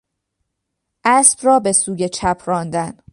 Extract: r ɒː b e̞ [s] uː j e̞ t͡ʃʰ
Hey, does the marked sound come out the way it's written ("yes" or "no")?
yes